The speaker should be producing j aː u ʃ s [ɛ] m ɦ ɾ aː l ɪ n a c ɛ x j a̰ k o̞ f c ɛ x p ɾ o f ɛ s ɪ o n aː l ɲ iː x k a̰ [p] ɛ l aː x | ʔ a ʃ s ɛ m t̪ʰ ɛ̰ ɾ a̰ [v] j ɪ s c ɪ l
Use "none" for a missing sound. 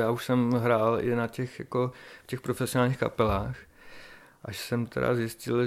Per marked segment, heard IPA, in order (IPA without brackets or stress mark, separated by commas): ɛ, p, z